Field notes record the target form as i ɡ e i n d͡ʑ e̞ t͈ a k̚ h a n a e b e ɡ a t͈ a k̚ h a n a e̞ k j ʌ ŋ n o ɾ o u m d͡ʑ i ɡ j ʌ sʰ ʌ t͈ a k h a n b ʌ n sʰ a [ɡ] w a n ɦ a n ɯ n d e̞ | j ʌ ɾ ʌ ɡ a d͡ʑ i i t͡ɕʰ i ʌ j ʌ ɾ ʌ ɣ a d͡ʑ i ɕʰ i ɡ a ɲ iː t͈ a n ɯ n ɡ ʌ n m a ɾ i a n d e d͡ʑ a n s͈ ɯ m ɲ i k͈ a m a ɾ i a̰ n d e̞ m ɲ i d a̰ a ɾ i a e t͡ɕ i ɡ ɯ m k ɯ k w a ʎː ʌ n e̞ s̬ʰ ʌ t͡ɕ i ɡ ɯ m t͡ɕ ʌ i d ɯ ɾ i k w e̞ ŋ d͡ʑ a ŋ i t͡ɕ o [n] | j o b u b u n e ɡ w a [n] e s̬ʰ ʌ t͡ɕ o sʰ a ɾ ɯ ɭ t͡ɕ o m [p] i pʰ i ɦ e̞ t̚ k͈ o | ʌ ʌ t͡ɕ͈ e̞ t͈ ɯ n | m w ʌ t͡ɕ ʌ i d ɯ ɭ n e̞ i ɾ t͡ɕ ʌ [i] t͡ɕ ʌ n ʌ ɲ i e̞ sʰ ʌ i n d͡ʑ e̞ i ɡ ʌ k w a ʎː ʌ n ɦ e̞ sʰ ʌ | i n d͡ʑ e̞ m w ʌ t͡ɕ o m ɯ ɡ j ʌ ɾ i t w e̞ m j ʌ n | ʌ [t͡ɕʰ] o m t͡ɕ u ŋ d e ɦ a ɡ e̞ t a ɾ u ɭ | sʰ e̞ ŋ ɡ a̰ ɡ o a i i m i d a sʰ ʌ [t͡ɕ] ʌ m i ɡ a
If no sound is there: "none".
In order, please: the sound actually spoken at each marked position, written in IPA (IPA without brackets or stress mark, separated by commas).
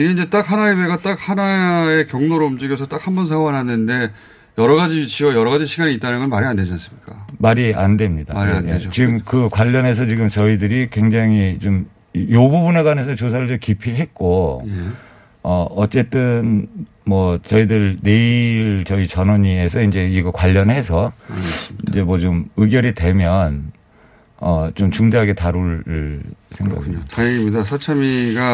ŋ, m, n, k, i, t͡ɕ, t͡ɕʰ